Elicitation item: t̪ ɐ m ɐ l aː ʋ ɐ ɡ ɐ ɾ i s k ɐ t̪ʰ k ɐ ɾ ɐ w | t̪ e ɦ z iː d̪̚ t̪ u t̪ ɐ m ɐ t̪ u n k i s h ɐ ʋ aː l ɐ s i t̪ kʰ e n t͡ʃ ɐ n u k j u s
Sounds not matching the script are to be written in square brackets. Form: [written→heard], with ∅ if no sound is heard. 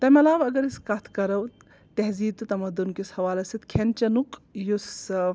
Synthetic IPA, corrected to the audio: t̪ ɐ m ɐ l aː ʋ ɐ ɡ ɐ ɾ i s k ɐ t̪ʰ k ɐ ɾ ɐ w | t̪ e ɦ z iː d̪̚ t̪ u t̪ ɐ m ɐ [t̪→d̪] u n k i s h ɐ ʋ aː l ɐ s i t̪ kʰ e n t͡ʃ ɐ n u k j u s